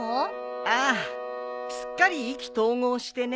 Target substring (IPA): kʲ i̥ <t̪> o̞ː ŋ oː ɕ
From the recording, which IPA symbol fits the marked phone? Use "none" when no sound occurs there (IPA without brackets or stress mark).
t̪